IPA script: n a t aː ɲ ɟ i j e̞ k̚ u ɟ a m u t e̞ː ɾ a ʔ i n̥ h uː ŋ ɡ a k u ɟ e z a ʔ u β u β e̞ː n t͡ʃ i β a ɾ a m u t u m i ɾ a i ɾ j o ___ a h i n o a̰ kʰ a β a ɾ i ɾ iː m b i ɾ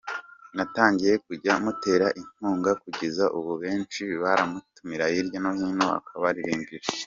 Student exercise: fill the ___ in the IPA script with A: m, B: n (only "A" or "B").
B